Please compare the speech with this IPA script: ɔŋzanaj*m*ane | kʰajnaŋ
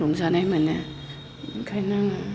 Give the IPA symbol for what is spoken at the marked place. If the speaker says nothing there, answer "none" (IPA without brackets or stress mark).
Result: m